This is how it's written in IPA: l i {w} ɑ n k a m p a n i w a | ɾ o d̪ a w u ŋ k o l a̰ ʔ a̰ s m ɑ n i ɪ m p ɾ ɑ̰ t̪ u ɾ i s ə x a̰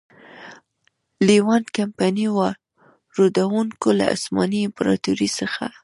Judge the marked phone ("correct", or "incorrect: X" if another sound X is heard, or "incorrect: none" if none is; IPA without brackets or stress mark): correct